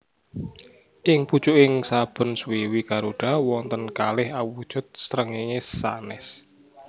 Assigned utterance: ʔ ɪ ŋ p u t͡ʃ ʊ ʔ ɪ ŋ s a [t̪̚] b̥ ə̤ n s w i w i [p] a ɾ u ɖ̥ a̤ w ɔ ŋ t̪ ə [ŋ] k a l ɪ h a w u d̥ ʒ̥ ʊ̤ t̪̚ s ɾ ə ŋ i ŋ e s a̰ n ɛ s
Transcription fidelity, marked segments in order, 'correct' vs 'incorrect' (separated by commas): incorrect, incorrect, incorrect